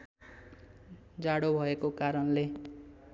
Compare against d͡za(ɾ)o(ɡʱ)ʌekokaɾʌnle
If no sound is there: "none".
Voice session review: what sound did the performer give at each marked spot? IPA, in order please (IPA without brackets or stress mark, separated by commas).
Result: ɽ, bʱ